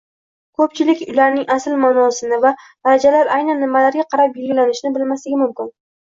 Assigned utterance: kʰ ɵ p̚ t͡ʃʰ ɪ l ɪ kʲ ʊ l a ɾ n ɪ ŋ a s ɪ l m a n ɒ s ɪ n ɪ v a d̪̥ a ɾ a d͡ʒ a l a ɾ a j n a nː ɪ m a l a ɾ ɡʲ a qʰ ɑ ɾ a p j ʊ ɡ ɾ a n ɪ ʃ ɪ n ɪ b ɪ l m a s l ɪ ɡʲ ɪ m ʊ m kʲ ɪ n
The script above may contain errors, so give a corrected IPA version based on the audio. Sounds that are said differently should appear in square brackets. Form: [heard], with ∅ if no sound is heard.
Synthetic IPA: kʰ ɵ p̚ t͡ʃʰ ɪ l ɪ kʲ ʊ l a ɾ n ɪ ŋ a s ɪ l m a n ɒ s ɪ n ɪ v a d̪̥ a ɾ a d͡ʒ a l a ɾ a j n a nː ɪ m a l a ɾ ɡʲ a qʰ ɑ ɾ a p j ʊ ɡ [l] a n ɪ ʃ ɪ n ɪ b ɪ l m a s l ɪ ɡʲ ɪ m ʊ m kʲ ɪ n